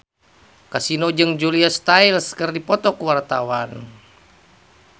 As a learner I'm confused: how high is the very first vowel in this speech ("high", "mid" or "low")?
low